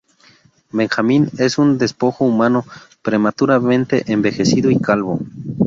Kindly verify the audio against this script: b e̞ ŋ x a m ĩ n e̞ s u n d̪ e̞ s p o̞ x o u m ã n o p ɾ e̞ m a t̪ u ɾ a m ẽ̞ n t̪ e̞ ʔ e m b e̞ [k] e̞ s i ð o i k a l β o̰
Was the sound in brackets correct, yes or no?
no